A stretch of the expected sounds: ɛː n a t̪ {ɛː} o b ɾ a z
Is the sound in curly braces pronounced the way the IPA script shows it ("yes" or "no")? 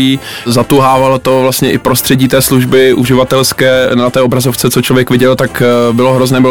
yes